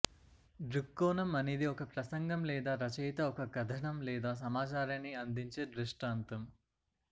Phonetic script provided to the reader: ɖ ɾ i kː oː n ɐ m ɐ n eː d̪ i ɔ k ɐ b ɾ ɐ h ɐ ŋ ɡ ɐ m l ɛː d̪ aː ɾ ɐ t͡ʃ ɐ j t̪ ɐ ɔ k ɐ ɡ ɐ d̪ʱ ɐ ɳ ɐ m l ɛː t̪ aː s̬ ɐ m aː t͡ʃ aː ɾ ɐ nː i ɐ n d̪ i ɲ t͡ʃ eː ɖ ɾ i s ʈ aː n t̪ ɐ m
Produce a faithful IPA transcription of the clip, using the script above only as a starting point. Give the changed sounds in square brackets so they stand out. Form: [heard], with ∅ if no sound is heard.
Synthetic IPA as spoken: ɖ ɾ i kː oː n ɐ m ɐ n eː d̪ i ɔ k ɐ [p] ɾ ɐ [s] ɐ ŋ ɡ ɐ m l ɛː d̪ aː ɾ ɐ t͡ʃ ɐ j t̪ ɐ ɔ k ɐ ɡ ɐ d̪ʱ ɐ ɳ ɐ m l ɛː [d̪] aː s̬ ɐ m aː t͡ʃ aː ɾ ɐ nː i ɐ n d̪ i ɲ t͡ʃ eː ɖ ɾ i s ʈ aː n t̪ ɐ m